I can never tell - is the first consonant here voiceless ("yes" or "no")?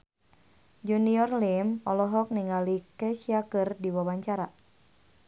no